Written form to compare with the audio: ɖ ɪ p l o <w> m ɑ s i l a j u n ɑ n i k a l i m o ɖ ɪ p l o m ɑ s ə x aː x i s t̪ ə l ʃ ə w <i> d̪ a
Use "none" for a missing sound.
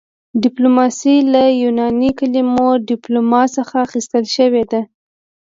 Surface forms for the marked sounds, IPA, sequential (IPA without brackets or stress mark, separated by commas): none, e